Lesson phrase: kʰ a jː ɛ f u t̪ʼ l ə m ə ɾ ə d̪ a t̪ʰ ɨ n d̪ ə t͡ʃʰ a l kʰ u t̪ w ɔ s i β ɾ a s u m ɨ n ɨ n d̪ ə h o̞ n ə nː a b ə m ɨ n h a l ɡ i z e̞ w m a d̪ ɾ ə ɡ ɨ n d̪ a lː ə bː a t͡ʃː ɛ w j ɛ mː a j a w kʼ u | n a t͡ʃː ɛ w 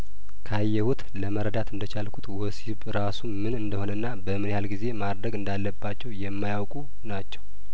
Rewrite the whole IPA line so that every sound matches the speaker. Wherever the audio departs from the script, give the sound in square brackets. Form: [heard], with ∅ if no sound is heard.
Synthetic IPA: kʰ a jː ɛ [h] u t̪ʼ l ə m ə ɾ ə d̪ a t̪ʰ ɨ n d̪ ə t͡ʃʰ a l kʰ u t̪ w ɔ s i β ɾ a s u m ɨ n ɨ n d̪ ə h o̞ n ə nː a b ə m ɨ n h a l ɡ i z e̞ [∅] m a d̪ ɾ ə ɡ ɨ n d̪ a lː ə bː a t͡ʃː ɛ w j ɛ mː a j a w kʼ u | n a t͡ʃː ɛ w